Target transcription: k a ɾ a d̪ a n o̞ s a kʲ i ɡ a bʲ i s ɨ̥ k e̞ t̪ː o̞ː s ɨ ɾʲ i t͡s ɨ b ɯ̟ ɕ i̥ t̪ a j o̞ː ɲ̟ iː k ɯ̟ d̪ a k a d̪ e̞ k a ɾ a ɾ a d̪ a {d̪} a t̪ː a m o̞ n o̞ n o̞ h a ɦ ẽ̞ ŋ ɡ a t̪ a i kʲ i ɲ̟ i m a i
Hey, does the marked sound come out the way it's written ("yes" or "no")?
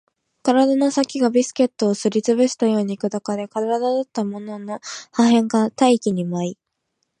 yes